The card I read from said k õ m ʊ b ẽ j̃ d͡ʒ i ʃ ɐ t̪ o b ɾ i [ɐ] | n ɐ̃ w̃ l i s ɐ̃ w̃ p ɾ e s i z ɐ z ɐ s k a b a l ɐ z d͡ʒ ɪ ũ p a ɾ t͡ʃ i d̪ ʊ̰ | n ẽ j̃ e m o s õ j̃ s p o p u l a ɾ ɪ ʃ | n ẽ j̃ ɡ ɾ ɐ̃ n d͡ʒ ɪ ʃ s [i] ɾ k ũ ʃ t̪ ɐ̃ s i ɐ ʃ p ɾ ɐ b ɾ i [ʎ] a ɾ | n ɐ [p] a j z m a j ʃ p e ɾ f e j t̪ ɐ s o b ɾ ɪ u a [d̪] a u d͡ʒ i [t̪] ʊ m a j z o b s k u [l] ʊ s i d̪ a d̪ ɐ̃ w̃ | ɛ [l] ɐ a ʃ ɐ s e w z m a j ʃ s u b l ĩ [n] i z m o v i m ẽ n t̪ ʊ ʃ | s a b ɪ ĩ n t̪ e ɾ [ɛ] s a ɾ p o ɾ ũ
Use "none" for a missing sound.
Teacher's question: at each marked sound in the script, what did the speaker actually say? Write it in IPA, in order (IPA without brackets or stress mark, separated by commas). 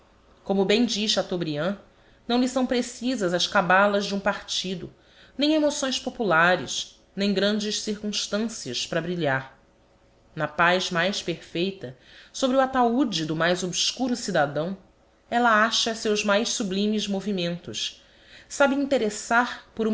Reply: ɐ̃, i, ʎ, p, t̪, d̪, ɾ, l, m, e